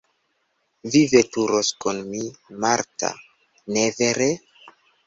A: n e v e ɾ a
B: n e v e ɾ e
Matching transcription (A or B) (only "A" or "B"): B